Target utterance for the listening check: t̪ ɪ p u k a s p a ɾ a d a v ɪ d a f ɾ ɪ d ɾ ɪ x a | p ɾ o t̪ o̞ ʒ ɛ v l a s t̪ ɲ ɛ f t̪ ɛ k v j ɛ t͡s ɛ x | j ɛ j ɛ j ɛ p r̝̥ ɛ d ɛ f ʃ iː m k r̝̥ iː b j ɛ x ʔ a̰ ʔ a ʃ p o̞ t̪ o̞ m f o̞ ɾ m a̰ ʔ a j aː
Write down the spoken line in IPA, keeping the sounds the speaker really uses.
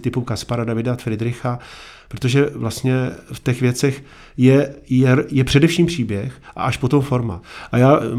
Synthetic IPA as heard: t̪ ɪ p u k a s p a ɾ a d a v ɪ d a f ɾ ɪ d ɾ ɪ x a | p ɾ o t̪ o̞ ʒ ɛ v l a s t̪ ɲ ɛ f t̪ ɛ x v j ɛ t͡s ɛ x | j ɛ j ɛ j ɛ p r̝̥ ɛ d ɛ f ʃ iː m p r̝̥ iː b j ɛ x ʔ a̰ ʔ a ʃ p o̞ t̪ o̞ m f o̞ ɾ m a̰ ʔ a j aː